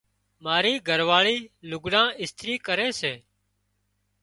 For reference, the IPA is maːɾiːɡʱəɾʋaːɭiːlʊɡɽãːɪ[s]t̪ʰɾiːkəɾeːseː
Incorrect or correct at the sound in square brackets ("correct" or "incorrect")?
correct